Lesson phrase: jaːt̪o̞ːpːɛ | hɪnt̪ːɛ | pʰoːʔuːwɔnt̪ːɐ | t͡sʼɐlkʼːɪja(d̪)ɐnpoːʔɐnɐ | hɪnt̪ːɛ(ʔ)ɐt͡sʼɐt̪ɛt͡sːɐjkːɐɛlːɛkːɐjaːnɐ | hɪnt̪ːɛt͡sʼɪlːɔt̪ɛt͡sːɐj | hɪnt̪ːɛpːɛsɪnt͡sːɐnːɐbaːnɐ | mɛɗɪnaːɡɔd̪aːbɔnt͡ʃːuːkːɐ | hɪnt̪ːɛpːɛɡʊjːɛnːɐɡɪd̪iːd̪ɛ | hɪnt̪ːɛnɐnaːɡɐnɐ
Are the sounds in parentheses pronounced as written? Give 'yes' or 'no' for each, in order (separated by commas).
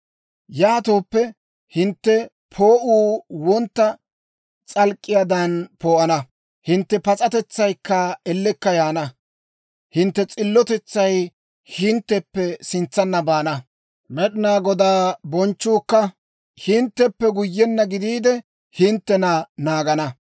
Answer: yes, no